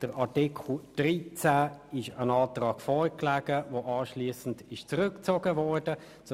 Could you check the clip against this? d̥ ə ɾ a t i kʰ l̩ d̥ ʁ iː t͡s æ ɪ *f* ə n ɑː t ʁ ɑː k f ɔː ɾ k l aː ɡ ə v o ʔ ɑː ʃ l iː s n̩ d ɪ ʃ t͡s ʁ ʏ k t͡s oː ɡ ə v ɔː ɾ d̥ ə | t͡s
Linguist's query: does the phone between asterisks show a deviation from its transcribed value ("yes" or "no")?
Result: yes